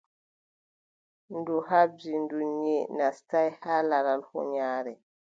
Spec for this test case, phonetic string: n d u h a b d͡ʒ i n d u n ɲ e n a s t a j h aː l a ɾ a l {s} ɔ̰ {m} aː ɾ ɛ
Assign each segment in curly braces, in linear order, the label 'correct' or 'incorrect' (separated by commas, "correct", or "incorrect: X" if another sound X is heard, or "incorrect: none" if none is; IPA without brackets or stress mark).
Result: incorrect: h, incorrect: ɲ